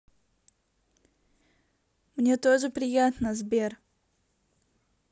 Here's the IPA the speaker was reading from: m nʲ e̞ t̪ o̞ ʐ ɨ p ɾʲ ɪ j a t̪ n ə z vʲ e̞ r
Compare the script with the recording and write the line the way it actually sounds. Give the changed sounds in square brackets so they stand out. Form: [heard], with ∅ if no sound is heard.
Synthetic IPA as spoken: m nʲ e̞ t̪ o̞ ʐ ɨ p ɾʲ ɪ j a t̪ n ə z [bʲ] e̞ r